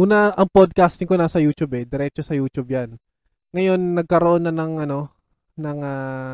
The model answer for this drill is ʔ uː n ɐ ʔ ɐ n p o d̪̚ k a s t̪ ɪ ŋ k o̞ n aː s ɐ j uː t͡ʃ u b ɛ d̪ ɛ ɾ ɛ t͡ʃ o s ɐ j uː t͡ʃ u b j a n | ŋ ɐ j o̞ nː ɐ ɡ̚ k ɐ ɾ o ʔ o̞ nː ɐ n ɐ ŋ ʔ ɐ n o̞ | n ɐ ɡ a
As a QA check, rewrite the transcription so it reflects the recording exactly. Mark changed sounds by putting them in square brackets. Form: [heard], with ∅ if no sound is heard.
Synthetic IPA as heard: ʔ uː n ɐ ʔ ɐ [ŋ] p o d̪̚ k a s t̪ ɪ ŋ k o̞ n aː s ɐ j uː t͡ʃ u b ɛ d̪ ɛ ɾ ɛ t͡ʃ o s ɐ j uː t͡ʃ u b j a n | ŋ ɐ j o̞ nː ɐ ɡ̚ k ɐ ɾ o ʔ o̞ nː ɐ n ɐ ŋ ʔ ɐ n o̞ | n ɐ [ŋ] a